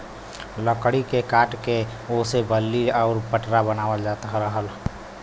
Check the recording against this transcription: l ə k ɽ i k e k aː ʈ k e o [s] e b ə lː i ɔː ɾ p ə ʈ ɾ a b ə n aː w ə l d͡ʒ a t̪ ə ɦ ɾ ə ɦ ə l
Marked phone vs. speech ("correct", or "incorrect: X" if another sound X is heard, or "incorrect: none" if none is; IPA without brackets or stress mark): correct